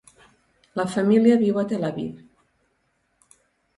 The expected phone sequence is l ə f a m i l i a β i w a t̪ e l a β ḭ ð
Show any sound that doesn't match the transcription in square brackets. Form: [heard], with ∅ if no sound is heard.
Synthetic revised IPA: l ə f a m i l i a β i w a t̪ e l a β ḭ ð